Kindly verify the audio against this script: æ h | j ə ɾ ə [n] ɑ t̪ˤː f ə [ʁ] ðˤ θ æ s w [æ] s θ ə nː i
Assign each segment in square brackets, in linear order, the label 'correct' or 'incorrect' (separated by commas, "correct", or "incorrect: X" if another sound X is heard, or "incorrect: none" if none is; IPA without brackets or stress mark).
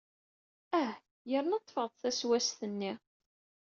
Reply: correct, correct, correct